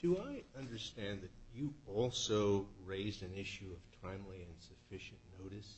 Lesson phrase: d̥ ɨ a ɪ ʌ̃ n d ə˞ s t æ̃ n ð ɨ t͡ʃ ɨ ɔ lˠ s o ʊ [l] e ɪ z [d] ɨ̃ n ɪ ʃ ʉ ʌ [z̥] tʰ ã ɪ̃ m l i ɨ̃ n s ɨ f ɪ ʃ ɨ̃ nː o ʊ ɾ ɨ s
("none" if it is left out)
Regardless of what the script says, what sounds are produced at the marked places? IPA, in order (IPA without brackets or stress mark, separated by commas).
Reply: ɹ, d, v̥